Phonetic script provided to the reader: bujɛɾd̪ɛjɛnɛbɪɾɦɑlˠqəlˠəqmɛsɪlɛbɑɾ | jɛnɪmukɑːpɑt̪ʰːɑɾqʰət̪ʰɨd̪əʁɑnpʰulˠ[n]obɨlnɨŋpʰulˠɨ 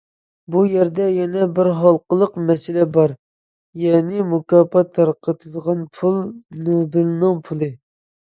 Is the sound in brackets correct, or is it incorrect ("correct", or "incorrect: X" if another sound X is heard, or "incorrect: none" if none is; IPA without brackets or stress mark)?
correct